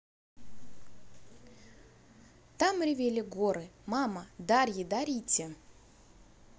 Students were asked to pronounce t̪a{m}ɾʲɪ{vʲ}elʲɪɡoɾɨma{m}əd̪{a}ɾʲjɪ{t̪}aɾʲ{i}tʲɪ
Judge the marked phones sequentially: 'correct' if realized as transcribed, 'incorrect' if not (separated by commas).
correct, correct, correct, correct, incorrect, correct